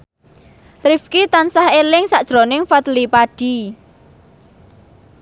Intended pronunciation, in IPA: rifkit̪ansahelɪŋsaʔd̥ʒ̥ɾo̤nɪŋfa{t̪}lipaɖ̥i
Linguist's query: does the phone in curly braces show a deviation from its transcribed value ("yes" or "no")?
no